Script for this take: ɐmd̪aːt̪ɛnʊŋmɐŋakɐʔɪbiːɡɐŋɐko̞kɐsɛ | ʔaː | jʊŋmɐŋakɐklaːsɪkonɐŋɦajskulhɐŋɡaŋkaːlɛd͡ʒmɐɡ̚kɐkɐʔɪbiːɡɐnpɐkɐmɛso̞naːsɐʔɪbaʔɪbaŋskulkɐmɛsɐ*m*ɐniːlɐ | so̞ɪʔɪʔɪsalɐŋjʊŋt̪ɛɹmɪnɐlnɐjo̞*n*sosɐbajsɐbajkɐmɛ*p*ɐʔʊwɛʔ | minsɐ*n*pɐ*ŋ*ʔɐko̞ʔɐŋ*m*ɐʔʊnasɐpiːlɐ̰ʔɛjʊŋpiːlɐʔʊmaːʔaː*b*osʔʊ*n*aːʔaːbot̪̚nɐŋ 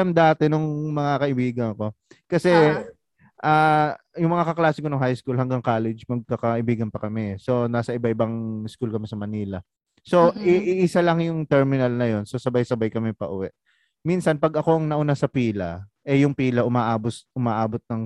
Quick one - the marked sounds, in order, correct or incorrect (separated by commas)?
correct, correct, correct, correct, incorrect, incorrect, correct, incorrect